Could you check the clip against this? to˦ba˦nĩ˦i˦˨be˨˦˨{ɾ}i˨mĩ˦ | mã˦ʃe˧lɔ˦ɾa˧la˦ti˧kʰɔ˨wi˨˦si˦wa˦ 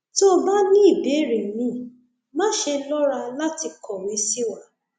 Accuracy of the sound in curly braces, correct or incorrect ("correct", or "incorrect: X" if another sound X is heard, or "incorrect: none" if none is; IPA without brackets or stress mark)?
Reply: correct